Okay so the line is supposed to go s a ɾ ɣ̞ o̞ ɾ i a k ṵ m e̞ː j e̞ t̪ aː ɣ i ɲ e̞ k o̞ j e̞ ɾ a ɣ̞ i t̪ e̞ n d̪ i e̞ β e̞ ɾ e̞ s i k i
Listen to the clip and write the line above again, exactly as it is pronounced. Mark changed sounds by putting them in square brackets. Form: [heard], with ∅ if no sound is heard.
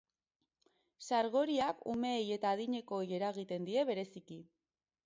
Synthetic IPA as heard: s a ɾ ɣ̞ o̞ ɾ i a k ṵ m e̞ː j e̞ t̪ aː [ð] i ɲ e̞ k o̞ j e̞ ɾ a ɣ̞ i t̪ e̞ n d̪ i e̞ β e̞ ɾ e̞ s i k i